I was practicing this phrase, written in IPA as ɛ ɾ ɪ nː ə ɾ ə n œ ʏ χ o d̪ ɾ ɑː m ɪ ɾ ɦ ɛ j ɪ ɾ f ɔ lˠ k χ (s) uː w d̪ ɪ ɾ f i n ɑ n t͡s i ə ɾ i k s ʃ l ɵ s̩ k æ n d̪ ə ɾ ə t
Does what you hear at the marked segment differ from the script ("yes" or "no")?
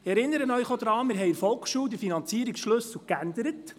yes